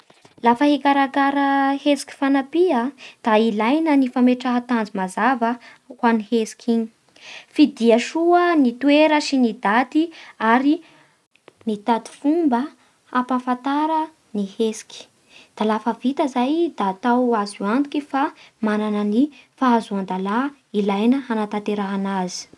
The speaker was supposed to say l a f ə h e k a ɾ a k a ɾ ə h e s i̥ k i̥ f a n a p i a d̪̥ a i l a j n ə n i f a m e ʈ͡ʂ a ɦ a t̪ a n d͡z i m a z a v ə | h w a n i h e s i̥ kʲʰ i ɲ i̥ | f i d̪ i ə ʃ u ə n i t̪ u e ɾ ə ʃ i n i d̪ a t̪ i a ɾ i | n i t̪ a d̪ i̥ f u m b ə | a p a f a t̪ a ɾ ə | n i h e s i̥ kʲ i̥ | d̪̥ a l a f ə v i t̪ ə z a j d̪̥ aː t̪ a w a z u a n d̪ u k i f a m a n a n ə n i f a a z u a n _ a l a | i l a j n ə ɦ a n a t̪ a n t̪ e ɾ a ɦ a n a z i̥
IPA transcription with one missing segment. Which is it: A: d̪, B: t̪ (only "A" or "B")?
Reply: A